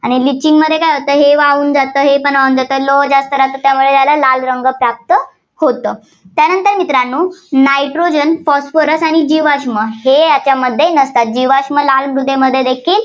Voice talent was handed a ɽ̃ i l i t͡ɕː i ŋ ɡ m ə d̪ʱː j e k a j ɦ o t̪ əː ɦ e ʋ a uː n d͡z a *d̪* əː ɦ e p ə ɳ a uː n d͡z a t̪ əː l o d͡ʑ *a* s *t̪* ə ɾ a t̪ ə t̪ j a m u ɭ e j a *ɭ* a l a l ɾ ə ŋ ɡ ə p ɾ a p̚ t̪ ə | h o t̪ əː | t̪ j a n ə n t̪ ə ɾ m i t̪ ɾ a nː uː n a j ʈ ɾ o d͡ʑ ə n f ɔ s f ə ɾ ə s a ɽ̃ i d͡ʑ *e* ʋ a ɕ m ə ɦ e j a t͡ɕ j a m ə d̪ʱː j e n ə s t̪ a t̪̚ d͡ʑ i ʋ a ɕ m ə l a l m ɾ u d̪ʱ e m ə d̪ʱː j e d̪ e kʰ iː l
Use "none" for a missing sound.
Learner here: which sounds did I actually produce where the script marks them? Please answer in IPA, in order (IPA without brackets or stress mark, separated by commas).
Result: t̪, a, t̪, l, i